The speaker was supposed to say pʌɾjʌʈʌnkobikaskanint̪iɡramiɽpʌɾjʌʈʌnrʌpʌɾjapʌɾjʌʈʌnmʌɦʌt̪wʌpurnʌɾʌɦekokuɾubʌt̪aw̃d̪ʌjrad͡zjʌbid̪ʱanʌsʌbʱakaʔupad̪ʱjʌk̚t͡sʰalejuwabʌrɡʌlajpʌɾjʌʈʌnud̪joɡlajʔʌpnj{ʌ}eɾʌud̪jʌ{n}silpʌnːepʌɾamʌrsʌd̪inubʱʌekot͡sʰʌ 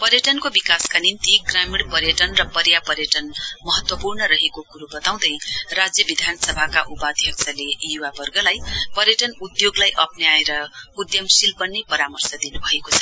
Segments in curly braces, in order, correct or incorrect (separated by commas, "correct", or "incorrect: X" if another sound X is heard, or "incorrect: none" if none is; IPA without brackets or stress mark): incorrect: a, incorrect: m